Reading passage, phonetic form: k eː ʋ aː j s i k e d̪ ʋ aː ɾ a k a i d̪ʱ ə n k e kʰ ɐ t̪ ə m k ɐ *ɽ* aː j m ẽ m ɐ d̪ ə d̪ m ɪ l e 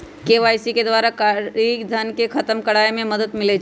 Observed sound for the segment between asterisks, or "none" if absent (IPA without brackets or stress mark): ɽ